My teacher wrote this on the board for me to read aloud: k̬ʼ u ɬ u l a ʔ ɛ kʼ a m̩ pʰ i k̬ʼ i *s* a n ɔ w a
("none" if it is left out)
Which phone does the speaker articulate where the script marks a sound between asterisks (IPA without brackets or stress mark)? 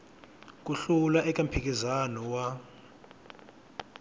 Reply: z